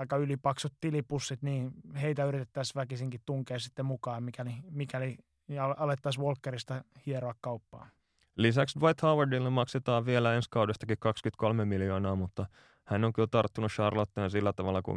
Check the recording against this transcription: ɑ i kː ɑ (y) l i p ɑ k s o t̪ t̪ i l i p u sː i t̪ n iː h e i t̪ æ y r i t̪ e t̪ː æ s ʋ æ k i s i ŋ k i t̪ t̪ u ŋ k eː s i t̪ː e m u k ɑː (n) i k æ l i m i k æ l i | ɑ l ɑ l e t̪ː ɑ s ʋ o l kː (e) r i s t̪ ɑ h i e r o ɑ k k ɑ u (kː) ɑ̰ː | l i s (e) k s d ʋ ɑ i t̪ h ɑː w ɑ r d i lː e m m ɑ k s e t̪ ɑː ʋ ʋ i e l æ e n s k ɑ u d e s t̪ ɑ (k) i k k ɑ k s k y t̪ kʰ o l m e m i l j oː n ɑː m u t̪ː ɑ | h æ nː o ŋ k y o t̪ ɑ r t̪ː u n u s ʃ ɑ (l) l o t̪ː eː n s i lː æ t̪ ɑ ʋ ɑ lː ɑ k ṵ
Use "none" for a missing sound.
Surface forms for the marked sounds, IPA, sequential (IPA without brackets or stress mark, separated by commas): y, m, e, pː, æ, k, r